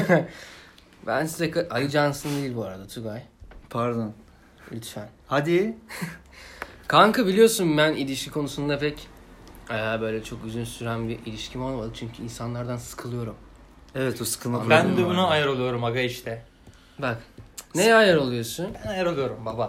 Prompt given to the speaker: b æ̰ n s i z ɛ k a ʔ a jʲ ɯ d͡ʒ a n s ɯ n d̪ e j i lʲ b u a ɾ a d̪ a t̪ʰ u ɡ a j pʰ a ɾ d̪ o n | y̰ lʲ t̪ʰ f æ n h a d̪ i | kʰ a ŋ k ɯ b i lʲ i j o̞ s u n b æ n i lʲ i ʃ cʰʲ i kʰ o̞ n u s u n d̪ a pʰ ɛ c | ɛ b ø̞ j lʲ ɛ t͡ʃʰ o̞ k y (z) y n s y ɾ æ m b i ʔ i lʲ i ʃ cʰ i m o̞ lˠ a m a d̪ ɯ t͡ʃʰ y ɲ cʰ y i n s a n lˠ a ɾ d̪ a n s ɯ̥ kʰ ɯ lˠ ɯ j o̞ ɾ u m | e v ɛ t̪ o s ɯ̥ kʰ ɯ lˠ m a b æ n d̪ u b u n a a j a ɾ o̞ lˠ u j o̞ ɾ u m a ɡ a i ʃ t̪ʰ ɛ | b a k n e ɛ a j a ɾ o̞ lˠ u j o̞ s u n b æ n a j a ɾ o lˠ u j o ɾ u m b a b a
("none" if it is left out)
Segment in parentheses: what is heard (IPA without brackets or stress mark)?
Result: z